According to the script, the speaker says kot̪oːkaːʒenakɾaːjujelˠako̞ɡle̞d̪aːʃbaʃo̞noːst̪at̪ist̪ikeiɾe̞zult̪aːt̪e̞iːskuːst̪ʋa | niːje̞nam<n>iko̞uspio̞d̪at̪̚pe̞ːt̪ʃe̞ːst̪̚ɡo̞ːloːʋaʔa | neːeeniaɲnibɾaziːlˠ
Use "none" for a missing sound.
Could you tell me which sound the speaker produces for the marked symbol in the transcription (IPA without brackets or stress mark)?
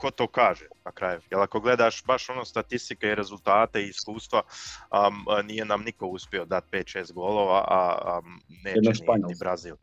n